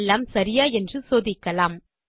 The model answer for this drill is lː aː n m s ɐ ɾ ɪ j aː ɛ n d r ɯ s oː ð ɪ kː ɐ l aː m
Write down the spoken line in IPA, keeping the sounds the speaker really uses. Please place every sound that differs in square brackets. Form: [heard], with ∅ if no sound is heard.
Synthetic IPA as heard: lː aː [∅] m s ɐ ɾ ɪ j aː ɛ n d r ɯ s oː ð ɪ kː ɐ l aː m